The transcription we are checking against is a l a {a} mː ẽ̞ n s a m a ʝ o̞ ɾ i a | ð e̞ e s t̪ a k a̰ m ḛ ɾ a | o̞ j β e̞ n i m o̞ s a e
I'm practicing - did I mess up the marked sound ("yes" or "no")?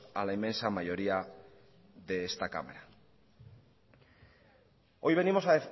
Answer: yes